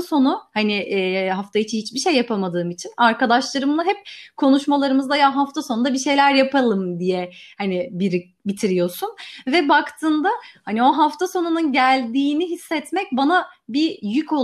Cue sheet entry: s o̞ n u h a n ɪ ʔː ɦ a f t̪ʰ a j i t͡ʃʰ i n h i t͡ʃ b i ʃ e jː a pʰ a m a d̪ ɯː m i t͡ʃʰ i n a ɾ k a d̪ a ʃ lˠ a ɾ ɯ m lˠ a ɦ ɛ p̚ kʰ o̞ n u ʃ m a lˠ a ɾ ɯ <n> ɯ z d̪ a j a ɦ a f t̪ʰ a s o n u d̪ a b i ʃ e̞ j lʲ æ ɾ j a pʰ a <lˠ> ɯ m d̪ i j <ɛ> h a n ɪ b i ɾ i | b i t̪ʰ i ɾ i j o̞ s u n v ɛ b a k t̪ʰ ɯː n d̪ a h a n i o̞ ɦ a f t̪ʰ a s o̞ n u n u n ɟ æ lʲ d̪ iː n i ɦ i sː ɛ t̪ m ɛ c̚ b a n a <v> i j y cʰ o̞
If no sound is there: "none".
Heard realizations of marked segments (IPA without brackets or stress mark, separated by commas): m, lˠ, ɛ, b